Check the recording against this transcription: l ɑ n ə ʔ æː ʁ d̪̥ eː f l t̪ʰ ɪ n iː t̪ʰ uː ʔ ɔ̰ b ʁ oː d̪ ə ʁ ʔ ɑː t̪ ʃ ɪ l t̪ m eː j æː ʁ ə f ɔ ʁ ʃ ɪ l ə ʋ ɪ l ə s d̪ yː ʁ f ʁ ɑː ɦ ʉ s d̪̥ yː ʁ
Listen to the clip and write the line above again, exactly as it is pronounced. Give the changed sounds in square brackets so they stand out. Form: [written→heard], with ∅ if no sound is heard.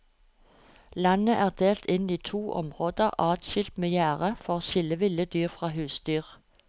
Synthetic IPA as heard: l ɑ n ə ʔ æː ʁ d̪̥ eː [f→∅] l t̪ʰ ɪ n iː t̪ʰ uː ʔ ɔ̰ [b→m] ʁ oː d̪ ə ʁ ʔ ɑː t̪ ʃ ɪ l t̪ m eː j æː ʁ ə f ɔ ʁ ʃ ɪ l ə ʋ ɪ l ə [s→∅] d̪ yː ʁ f ʁ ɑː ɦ [ʉ→ʉː] s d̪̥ yː ʁ